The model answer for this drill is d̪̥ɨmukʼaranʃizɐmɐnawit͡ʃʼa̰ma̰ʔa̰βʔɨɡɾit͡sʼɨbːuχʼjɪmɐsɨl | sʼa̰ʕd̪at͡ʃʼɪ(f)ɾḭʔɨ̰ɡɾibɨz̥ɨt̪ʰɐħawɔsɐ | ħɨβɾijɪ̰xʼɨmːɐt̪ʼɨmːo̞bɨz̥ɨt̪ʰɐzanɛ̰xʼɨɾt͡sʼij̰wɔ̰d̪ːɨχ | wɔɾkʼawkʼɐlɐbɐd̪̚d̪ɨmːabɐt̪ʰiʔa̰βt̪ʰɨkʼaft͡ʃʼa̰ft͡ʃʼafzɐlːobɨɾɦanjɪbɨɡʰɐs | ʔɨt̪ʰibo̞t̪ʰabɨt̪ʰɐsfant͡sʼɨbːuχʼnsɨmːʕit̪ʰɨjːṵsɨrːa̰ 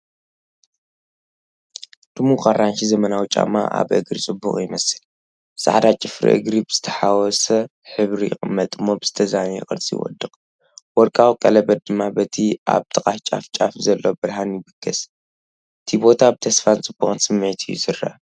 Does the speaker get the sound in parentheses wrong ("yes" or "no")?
no